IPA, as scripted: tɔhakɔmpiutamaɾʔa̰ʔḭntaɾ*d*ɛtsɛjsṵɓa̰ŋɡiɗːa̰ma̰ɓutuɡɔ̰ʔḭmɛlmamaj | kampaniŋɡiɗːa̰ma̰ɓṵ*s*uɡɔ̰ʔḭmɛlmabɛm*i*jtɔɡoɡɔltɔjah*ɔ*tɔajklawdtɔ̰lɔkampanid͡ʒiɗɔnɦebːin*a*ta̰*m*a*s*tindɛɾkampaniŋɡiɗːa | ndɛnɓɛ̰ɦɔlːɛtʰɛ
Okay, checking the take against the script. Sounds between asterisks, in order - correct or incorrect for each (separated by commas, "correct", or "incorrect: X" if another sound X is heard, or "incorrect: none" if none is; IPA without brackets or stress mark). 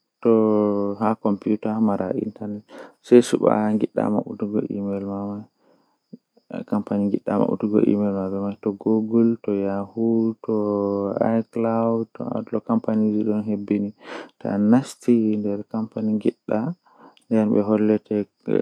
incorrect: n, incorrect: t, incorrect: a, incorrect: u, incorrect: i, incorrect: n, correct